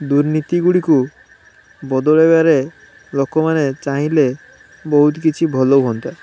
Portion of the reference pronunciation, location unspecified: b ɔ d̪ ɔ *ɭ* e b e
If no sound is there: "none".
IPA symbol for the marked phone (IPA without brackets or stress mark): ɭ